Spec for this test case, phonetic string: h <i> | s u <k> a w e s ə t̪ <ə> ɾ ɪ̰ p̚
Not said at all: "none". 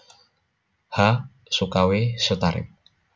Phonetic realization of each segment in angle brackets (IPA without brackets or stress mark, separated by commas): a, k, a